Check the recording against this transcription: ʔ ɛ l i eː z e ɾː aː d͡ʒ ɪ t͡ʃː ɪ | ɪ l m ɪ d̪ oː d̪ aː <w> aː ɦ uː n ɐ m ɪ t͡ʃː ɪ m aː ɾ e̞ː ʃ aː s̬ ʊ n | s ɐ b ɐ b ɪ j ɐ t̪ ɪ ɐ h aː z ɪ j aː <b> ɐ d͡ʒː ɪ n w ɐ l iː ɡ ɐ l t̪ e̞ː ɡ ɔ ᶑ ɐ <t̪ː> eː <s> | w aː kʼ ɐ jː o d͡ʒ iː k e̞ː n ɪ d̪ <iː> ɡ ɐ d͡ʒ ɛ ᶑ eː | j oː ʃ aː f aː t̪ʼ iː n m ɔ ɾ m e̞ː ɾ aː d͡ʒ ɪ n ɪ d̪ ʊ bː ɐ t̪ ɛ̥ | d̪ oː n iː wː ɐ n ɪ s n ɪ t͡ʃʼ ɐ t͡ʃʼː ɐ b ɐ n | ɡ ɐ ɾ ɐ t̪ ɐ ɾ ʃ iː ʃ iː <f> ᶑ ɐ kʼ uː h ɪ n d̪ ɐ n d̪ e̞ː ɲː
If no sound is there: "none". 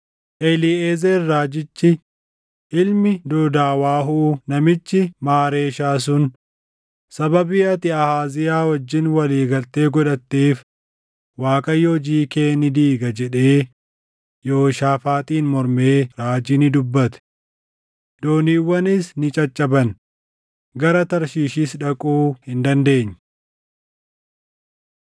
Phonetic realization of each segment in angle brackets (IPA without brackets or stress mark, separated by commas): w, w, t̪ː, f, iː, s